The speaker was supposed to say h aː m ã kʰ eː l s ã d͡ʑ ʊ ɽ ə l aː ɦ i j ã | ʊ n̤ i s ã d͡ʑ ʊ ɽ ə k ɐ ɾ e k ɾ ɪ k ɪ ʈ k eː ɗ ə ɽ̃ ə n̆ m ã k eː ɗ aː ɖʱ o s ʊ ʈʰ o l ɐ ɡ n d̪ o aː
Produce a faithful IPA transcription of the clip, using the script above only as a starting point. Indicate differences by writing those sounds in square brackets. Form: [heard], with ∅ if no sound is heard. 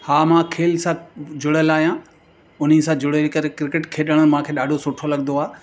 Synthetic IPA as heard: h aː m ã kʰ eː l s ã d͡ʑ ʊ ɽ ə l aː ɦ i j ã | ʊ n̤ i s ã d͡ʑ ʊ ɽ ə k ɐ ɾ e k ɾ ɪ k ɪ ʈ [kʰ] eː ɗ ə ɽ̃ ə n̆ m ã [kʰ] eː ɗ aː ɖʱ o s ʊ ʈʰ o l ɐ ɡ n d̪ o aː